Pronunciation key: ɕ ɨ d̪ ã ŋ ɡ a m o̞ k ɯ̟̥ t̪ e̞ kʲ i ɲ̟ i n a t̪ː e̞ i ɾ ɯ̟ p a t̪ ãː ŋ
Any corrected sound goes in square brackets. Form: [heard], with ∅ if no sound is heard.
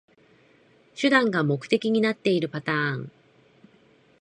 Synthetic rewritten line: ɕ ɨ d̪ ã ŋ ɡ a m o̞ k ɯ̟̥ t̪ e̞ kʲ i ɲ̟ i n a t̪ː e̞ i ɾ ɯ̟ p a t̪ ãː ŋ